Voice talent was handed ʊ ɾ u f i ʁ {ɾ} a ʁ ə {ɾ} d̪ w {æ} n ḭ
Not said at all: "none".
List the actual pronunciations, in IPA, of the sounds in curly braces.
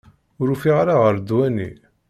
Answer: ɾ, ɾ, æ

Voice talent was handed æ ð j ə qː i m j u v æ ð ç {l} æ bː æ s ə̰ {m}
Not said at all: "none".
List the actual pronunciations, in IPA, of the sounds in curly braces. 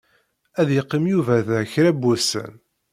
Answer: ɾ, n

